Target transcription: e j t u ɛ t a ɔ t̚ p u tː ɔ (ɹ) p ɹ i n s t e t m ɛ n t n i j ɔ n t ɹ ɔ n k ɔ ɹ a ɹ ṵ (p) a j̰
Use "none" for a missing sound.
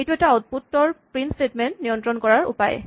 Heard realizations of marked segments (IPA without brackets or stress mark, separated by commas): ɹ, p